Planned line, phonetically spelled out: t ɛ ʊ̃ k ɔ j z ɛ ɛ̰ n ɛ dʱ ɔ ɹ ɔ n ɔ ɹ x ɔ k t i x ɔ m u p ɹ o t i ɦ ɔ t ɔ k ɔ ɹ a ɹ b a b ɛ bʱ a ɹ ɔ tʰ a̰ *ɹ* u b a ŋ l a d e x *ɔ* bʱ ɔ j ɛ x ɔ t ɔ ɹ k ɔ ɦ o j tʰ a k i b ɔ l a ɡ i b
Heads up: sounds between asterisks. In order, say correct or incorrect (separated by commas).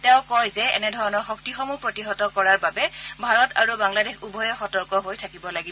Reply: correct, incorrect